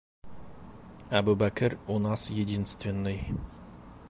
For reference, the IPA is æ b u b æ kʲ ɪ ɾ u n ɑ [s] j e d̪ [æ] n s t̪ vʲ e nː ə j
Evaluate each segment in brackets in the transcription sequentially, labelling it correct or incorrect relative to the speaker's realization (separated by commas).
correct, incorrect